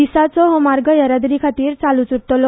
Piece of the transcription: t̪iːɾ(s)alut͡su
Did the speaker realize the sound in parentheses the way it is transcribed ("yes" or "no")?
no